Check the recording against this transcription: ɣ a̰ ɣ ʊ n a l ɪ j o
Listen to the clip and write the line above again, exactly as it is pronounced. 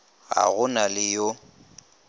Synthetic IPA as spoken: ɣ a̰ ɣ ʊ n a l ɪ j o